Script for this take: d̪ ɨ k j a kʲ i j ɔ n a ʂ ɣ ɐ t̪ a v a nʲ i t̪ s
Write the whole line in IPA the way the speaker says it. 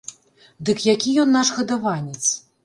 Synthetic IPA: d̪ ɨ k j a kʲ i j ɔ nː a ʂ ɣ ɐ d̪ a v a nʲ ɛ t̪ s